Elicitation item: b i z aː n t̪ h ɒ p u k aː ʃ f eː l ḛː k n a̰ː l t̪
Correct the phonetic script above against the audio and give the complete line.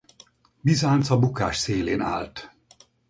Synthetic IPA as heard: b i z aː n t̪ s ɒ b u k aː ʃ s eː l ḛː n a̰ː l t̪